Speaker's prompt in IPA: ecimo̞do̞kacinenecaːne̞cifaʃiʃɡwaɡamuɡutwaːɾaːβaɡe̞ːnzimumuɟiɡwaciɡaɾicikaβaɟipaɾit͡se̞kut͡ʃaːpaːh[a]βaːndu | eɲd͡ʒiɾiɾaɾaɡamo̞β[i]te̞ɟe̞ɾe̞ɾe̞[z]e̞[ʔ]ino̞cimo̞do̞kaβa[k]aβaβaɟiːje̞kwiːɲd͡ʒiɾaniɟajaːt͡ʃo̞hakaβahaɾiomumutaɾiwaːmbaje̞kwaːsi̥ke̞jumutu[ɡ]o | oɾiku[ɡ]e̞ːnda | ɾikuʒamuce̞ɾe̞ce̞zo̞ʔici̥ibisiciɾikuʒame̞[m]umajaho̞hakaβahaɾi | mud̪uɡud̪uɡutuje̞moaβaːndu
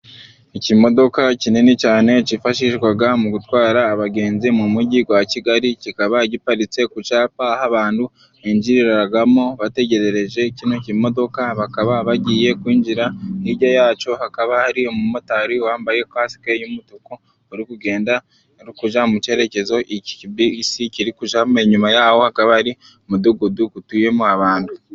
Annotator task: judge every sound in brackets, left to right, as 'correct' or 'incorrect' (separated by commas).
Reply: correct, incorrect, incorrect, incorrect, correct, incorrect, correct, incorrect